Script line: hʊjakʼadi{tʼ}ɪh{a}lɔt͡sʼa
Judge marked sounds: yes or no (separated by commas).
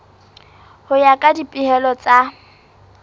no, no